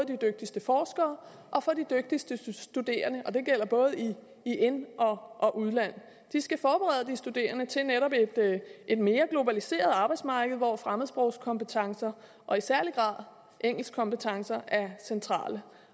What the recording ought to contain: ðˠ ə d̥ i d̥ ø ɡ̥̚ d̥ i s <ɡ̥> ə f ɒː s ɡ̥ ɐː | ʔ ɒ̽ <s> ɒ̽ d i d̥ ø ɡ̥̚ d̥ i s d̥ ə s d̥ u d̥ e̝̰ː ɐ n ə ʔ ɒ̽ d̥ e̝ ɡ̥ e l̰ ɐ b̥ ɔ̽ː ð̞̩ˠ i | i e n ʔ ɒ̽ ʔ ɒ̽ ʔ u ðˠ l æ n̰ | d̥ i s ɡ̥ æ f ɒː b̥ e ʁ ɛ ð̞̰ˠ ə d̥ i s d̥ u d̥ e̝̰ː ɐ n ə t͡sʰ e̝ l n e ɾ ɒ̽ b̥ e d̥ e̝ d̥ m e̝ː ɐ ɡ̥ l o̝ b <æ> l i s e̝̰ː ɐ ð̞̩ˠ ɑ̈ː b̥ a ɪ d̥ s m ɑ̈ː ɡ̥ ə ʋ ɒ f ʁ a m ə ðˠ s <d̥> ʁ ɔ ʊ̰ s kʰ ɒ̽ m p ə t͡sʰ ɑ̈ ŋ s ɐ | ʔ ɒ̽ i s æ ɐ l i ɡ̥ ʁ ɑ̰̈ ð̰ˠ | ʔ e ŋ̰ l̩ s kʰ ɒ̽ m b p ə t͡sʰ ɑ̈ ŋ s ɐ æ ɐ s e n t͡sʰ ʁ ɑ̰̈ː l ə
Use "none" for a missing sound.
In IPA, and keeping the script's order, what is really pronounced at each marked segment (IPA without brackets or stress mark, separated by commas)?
d̥, f, æ, b̥